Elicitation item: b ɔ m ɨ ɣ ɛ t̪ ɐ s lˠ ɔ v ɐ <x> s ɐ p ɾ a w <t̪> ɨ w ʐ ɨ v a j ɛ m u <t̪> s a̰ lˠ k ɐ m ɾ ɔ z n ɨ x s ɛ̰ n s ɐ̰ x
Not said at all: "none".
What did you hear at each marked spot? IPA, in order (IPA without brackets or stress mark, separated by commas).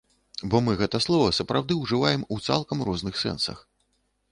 none, d̪, t̪